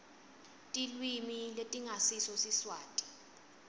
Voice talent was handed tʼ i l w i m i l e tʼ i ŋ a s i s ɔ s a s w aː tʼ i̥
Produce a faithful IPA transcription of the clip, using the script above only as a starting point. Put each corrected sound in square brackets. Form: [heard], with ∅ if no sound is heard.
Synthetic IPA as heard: tʼ i l w i m i l e tʼ i ŋ a s i s ɔ s [i] s w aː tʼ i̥